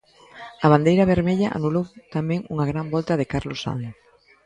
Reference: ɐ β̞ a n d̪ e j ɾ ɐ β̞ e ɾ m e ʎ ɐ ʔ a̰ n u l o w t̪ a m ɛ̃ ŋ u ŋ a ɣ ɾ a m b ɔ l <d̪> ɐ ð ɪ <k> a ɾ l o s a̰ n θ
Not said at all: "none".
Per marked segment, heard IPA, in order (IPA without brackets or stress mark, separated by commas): t̪, k